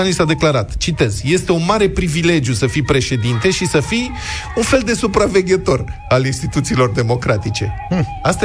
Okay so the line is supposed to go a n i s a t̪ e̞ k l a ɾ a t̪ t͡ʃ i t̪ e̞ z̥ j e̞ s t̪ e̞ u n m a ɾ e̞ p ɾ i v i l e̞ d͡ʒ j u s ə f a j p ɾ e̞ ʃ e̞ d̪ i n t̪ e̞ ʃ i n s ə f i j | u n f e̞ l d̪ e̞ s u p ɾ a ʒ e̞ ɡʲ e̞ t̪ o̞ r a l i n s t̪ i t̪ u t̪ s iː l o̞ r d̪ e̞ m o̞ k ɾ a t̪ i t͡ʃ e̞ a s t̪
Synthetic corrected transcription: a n i s a d̪ e̞ k l a ɾ a t̪ t͡ʃ i t̪ e̞ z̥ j e̞ s t̪ e̞ u n m a ɾ e̞ p ɾ i v i l e̞ d͡ʒ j u s ə f i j p ɾ e̞ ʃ e̞ d̪ i n t̪ e̞ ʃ i s ə f i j | u n f e̞ l d̪ e̞ s u p ɾ a v e̞ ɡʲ e̞ t̪ o̞ r a l i n s t̪ i t̪ u t̪ s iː l o̞ r d̪ e̞ m o̞ k ɾ a t̪ i t͡ʃ e̞ a s t̪